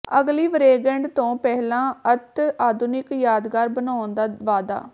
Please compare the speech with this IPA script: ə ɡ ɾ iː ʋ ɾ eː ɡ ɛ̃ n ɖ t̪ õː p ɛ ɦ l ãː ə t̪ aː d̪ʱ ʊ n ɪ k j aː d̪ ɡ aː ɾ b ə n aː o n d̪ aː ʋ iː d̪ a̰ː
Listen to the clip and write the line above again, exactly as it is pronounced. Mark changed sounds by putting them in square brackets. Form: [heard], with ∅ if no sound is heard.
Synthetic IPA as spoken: ə ɡ [l] iː ʋ ɾ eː ɡ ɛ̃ [ɳ] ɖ t̪ õː p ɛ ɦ l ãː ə t̪ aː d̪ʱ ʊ n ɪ k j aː d̪ ɡ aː ɾ b ə n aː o n d̪ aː ʋ [aː] d̪ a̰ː

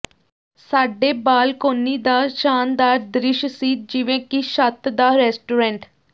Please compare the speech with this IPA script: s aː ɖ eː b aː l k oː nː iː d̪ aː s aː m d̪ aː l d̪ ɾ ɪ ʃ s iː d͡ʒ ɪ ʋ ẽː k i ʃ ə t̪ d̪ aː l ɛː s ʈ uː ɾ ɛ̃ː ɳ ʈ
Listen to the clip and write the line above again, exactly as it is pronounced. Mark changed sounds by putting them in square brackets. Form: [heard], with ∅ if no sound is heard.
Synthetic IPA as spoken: s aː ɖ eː b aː l k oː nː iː d̪ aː [ʃ] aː [n] d̪ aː [ɾ] d̪ ɾ ɪ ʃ s iː d͡ʒ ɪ ʋ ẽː k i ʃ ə t̪ d̪ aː [ɾ] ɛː s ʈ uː ɾ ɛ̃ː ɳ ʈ

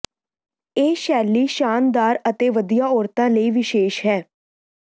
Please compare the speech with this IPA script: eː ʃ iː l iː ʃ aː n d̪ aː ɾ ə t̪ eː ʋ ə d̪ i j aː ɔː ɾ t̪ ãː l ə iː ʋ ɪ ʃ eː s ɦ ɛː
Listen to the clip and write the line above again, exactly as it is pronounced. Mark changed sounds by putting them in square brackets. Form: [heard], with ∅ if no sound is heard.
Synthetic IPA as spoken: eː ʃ [ɛː] l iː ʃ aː n d̪ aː ɾ ə t̪ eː ʋ ə d̪ i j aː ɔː ɾ t̪ ãː l ə iː ʋ ɪ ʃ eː [ʃ] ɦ ɛː

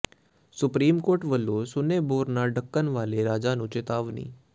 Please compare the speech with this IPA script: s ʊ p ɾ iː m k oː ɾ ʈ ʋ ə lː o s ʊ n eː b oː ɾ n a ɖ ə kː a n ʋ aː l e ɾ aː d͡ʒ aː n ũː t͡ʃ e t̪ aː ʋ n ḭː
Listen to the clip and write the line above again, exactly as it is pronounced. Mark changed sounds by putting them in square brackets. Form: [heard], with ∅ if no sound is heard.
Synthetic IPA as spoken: s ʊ p ɾ iː m k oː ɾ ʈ ʋ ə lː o s ʊ n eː b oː ɾ n a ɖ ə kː [ə] n ʋ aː l e ɾ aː d͡ʒ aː n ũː t͡ʃ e t̪ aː ʋ n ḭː

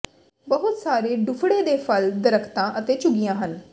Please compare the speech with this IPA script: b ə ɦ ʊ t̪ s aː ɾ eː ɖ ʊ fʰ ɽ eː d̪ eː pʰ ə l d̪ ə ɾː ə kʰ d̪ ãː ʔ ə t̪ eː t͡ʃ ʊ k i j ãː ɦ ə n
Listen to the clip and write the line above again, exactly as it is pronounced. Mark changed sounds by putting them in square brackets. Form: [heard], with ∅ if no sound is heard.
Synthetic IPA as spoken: b ə ɦ ʊ t̪ s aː ɾ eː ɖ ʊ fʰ ɽ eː d̪ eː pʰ ə l d̪ ə [ɾ] ə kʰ [t̪] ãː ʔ ə t̪ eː t͡ʃ ʊ [ɡ] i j ãː ɦ ə n

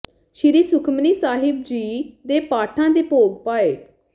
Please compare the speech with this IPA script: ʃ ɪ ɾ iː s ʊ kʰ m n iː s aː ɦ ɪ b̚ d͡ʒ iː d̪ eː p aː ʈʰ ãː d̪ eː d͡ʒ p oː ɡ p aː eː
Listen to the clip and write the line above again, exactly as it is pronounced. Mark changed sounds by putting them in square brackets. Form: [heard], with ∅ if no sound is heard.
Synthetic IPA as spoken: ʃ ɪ ɾ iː s ʊ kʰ m n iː s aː ɦ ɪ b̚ d͡ʒ iː d̪ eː p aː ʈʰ ãː d̪ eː [∅] p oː ɡ p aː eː

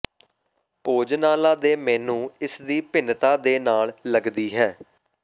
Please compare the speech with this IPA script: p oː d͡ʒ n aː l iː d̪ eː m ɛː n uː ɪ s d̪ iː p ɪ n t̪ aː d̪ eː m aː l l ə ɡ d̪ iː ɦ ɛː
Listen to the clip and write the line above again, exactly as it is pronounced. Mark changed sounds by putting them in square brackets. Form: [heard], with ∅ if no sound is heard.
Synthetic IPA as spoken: p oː d͡ʒ n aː l [aː] d̪ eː m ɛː n [ũː] ɪ s d̪ iː p ɪ n t̪ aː d̪ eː [n] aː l l ə ɡ d̪ iː ɦ ɛː

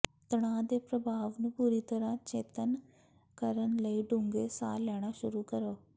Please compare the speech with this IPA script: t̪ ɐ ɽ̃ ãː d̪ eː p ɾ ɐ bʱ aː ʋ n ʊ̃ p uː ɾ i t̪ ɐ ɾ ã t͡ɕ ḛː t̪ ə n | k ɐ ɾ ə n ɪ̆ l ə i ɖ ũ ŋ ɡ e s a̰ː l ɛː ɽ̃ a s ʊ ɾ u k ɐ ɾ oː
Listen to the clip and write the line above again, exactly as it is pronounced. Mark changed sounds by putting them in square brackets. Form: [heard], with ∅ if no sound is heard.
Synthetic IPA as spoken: t̪ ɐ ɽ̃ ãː d̪ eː p ɾ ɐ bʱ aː ʋ n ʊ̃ p uː ɾ i t̪ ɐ ɾ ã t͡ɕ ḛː t̪ ə n | k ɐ ɾ ə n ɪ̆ l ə i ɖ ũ ŋ ɡ e s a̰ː l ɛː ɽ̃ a [ʃ] ʊ ɾ u k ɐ ɾ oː

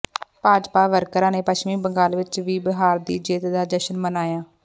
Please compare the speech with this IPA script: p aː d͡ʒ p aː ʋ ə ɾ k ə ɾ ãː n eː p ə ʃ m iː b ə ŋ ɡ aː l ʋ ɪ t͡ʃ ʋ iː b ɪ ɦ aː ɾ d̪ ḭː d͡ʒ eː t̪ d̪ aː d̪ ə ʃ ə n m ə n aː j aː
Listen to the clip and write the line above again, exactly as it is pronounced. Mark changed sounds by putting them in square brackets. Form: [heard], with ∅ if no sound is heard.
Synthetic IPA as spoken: p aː d͡ʒ p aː ʋ ə ɾ k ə ɾ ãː n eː p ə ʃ m iː b ə ŋ ɡ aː l ʋ ɪ t͡ʃ ʋ iː b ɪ ɦ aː ɾ d̪ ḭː d͡ʒ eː t̪ d̪ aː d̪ ə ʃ ə n m ə n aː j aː

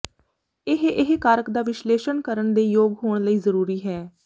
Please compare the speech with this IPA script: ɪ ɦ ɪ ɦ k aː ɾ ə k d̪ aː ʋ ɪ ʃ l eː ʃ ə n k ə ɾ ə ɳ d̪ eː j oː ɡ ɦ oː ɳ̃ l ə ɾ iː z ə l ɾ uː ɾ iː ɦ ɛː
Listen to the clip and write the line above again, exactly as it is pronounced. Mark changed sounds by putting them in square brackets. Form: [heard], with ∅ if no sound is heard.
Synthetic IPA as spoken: ɪ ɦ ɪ ɦ k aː ɾ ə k d̪ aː ʋ ɪ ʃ l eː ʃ ə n k ə ɾ ə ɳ d̪ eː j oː ɡ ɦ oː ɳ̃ l ə [∅] iː z ə [∅] ɾ uː ɾ iː ɦ ɛː

